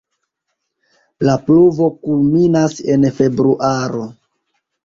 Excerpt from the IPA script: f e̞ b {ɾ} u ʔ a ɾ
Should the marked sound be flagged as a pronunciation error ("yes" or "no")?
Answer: no